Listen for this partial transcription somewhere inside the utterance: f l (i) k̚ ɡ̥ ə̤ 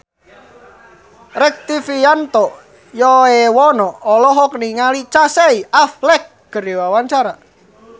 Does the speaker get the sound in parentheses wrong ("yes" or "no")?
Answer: yes